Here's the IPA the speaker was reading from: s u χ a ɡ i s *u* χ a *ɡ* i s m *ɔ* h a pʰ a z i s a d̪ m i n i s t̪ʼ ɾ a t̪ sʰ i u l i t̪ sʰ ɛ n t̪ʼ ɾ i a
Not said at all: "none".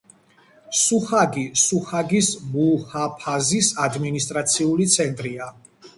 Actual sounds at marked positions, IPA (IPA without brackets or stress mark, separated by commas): u, ɡ, u